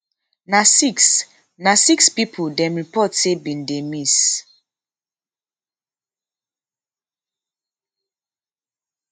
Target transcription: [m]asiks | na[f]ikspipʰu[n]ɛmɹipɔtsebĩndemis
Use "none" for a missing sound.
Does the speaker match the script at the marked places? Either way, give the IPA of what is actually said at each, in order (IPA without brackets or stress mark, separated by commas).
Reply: n, s, d